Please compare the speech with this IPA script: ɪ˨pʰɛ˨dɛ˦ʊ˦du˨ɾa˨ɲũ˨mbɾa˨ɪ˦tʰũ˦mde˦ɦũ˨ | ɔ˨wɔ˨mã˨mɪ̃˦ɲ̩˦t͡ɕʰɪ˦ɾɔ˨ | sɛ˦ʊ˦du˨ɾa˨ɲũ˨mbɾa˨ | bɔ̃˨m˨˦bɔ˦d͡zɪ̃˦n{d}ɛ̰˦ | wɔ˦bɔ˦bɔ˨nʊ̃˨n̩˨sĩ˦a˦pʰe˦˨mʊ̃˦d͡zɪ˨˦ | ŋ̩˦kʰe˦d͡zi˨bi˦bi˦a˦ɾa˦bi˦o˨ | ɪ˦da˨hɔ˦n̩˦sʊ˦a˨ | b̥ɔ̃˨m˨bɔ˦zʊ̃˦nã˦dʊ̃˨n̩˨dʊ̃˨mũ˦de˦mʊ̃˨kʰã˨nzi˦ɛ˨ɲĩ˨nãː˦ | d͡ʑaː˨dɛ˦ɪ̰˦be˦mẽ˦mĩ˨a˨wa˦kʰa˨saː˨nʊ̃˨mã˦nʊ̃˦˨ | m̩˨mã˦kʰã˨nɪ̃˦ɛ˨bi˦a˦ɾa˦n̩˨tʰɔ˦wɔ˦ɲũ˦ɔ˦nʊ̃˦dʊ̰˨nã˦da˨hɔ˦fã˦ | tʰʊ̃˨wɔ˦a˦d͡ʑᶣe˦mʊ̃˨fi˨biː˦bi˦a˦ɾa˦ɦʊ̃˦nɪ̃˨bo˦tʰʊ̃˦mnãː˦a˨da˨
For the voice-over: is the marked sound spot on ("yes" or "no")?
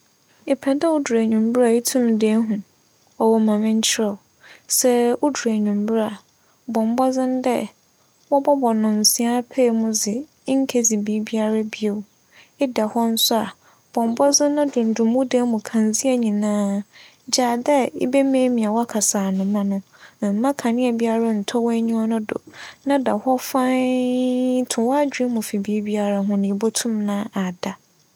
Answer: yes